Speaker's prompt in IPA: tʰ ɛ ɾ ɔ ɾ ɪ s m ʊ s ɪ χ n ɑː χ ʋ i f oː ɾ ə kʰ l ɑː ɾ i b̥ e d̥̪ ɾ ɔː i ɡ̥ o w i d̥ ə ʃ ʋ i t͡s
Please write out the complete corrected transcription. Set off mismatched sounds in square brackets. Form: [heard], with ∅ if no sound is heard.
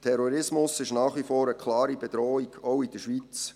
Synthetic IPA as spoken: tʰ ɛ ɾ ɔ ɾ ɪ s m ʊ s ɪ [ʃ] n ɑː χ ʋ i f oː ɾ ə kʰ l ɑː ɾ i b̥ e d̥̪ ɾ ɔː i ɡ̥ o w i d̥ ə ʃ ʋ i t͡s

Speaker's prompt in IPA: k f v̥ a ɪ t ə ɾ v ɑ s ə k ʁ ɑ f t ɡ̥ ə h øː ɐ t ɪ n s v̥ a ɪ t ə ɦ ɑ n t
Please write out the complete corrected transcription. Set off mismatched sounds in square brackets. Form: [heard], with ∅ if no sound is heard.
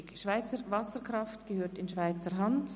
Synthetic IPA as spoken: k [ʃ] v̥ a ɪ [t͡s] ə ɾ v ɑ s ə k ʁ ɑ f t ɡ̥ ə h øː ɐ t ɪ n [ʃ] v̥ a ɪ [t͡s] ə ɦ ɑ n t

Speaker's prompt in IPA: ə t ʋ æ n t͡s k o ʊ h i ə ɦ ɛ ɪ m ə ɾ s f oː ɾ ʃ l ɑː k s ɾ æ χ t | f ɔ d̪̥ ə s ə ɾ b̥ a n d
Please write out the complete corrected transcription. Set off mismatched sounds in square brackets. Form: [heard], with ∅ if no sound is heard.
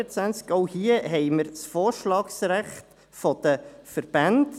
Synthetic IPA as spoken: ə [t͡s] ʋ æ n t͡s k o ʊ h i ə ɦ ɛ ɪ m ə ɾ s f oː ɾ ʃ l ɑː k s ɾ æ χ t | f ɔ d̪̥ ə [f] ə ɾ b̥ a n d

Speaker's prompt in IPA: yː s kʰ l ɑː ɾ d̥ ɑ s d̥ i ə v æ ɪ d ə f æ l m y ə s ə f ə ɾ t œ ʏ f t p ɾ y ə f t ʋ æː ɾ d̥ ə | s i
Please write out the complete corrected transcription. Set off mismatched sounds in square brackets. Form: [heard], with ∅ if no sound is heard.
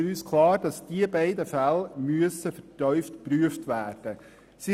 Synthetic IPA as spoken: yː s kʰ l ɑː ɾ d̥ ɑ s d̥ i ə [b] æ ɪ d ə f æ l m y ə s ə f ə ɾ t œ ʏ f t p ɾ y ə f t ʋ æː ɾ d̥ ə | s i

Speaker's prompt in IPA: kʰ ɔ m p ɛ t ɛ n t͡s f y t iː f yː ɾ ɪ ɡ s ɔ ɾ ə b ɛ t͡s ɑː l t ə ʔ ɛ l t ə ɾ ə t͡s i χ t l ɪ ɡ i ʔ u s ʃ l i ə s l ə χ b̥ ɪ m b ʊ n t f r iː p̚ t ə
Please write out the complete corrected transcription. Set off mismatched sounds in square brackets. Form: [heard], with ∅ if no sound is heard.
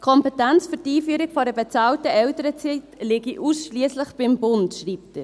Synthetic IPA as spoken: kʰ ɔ m p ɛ t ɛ n t͡s f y t iː f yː ɾ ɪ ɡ [f] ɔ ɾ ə b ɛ t͡s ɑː l t ə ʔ ɛ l t ə ɾ ə t͡s i [∅] t l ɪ ɡ i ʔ u s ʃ l i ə s l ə χ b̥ ɪ m b ʊ n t [ʃ] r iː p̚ t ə

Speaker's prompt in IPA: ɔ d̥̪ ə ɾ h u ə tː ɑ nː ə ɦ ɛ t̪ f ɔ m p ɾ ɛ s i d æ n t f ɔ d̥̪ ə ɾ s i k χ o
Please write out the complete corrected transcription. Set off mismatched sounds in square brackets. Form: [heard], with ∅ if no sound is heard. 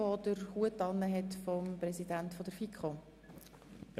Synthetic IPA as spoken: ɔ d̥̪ ə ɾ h u ə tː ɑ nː ə ɦ ɛ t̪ f ɔ m p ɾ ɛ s i d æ n t f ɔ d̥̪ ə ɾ [f] i k χ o

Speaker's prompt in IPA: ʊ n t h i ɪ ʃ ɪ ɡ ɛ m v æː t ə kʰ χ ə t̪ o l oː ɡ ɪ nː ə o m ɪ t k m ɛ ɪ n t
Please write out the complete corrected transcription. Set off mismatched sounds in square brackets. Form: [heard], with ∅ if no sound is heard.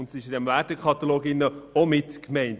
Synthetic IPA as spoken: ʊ n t [s] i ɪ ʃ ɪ [d] ɛ m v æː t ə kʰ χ [ɑ] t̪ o l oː ɡ ɪ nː ə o m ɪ t k m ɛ ɪ n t

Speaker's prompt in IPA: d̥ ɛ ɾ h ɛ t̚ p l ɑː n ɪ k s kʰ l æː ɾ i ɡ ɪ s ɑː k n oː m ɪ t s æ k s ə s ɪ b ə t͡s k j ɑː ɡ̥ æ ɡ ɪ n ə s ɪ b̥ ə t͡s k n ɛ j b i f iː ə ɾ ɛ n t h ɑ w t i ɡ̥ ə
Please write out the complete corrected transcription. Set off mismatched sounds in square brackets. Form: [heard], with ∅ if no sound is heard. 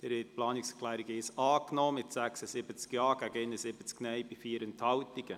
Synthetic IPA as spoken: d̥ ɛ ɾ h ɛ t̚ p l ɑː n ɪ k s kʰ l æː ɾ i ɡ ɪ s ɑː k n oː m ɪ t s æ k s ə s ɪ b ə t͡s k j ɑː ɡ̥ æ ɡ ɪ n ə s ɪ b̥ ə t͡s k n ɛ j b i f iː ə ɾ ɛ n t h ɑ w t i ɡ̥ ə

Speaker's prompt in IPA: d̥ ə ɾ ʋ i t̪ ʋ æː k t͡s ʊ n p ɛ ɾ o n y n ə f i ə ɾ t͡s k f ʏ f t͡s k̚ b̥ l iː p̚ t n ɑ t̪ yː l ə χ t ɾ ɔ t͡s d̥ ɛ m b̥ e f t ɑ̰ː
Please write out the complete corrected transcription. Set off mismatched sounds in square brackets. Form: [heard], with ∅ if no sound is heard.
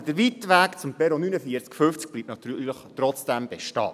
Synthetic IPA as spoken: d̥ ə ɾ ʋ i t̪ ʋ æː k t͡s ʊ [m] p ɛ ɾ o n y n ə f i ə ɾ t͡s k f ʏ f t͡s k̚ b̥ l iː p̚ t n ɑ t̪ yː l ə χ t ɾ ɔ t͡s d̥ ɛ m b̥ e [ʃ] t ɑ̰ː

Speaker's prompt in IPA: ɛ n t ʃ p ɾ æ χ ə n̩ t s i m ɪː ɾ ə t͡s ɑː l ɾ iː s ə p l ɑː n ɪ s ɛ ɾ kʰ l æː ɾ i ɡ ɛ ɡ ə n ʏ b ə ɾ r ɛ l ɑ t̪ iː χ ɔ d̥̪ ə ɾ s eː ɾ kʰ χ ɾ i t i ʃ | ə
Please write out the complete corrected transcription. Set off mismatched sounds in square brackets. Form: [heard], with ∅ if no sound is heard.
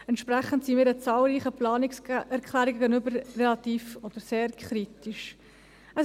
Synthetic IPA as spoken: ɛ n t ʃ p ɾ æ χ ə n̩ t s i m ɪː ɾ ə t͡s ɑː l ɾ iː [χ] ə p l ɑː n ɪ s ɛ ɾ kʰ l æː ɾ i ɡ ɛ ɡ ə n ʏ b ə ɾ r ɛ l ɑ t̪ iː [f] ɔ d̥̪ ə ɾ s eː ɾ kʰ χ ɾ i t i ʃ | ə

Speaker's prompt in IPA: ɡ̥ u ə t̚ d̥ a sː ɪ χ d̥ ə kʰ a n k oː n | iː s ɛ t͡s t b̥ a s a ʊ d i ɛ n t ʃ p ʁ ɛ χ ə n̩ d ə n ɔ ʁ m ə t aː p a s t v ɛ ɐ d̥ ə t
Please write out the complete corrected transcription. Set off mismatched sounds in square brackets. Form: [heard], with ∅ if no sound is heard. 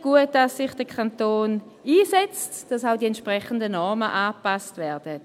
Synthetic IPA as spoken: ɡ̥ u ə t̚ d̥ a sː ɪ χ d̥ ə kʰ a n [t] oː n | iː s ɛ t͡s t [d̥] a s a ʊ d i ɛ n t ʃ p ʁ ɛ χ ə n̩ d ə n ɔ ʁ m ə [ʔ] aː p a s t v ɛ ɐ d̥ ə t

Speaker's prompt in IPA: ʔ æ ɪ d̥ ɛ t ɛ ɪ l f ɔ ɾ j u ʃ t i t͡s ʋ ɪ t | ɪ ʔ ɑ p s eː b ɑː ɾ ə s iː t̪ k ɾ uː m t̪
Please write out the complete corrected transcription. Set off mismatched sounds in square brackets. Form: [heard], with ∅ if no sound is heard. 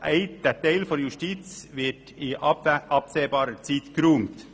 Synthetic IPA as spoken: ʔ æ ɪ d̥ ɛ t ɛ ɪ l f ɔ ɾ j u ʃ t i t͡s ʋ ɪ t | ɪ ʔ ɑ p s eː b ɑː ɾ ə [t͡s] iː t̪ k ɾ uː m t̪

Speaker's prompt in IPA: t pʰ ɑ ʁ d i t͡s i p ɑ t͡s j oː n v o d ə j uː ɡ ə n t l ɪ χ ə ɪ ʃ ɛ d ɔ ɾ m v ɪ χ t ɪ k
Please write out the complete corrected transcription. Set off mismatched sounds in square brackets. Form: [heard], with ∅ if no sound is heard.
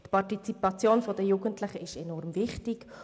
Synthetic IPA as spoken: t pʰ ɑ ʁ [t] i t͡s i p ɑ t͡s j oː n [f] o d ə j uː ɡ ə n t l ɪ χ ə ɪ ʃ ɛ [n] ɔ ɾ m v ɪ χ t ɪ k

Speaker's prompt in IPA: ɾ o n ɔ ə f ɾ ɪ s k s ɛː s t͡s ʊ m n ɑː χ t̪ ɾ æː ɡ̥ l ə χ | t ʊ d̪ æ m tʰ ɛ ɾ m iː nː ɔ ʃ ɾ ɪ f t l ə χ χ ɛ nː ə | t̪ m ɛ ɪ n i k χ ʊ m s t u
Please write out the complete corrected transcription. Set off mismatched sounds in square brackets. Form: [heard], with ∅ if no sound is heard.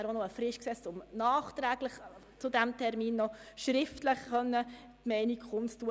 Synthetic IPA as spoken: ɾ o n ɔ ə f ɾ ɪ [ʃ] k s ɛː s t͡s ʊ m n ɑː χ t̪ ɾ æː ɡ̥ l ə χ | [t͡s] ʊ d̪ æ m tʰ ɛ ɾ m iː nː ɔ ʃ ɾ ɪ f t l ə χ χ [œ] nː ə | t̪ m ɛ ɪ n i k χ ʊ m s t u

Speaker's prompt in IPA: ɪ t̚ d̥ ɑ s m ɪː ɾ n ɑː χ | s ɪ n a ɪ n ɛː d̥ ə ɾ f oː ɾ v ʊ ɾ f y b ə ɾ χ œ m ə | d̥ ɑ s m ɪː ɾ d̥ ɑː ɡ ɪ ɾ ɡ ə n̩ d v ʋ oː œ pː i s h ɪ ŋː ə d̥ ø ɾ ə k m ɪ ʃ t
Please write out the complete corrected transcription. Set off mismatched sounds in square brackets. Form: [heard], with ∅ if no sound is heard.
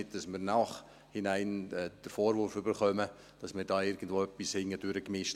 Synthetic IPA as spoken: ɪ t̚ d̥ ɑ s m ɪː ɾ n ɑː χ | [h] ɪ n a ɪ n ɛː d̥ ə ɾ f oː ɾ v ʊ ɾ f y b ə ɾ χ œ m ə | d̥ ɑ s m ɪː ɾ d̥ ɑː [∅] ɪ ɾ ɡ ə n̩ d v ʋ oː œ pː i s h ɪ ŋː ə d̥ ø ɾ ə k m ɪ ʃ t

